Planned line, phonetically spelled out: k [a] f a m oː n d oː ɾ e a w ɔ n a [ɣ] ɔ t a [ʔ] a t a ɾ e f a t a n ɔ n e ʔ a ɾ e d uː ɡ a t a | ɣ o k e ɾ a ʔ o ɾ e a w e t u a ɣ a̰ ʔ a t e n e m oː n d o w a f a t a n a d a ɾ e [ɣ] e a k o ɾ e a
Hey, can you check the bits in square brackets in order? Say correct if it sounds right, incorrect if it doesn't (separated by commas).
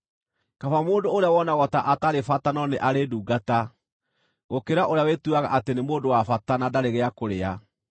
correct, correct, correct, correct